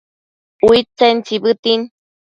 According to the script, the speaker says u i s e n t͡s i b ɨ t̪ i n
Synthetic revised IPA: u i t͡s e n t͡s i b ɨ t̪ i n